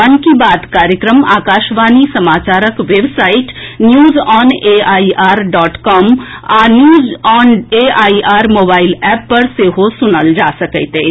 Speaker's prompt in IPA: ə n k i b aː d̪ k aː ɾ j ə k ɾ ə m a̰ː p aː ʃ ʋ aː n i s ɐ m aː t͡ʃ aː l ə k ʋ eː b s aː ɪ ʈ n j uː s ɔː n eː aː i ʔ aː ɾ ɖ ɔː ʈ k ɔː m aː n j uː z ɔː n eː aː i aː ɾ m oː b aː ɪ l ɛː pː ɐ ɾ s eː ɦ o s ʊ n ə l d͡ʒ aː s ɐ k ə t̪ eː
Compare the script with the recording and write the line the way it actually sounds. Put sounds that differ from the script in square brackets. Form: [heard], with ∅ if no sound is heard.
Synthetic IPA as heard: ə n k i b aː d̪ k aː ɾ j ə k ɾ ə m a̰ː [k] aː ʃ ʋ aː n i s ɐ m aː t͡ʃ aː [ɾ] ə k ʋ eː b s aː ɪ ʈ n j uː [z] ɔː n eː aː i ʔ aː ɾ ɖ ɔː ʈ k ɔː m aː n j uː z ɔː n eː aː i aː ɾ m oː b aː ɪ l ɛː pː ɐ ɾ s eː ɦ o s ʊ n ə l d͡ʒ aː s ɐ k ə t̪ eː